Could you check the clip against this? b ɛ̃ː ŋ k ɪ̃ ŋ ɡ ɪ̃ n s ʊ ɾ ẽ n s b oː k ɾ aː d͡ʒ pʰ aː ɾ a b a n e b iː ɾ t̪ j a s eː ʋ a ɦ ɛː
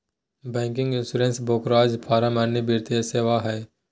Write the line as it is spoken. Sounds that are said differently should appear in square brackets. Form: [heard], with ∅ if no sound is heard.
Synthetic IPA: b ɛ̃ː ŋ k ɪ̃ ŋ ɡ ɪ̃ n s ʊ ɾ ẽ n s b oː k ɾ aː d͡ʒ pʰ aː ɾ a [m] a n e b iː ɾ t̪ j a s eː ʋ a ɦ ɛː